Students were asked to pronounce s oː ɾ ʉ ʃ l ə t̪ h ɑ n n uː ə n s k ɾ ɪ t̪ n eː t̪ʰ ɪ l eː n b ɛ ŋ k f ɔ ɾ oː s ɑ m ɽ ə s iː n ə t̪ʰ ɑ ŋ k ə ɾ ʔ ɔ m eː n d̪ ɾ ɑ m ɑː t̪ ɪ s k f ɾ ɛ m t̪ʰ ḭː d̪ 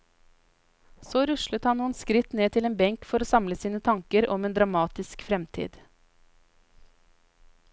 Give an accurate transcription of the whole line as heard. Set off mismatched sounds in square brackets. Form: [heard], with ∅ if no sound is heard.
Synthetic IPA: s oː ɾ ʉ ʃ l ə t̪ h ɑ n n uː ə n s k ɾ ɪ t̪ n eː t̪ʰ ɪ l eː n b ɛ ŋ k f ɔ ɾ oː s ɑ m [l] ə s iː n ə t̪ʰ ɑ ŋ k ə ɾ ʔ ɔ m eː n d̪ ɾ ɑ m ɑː t̪ ɪ s k f ɾ ɛ m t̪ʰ ḭː d̪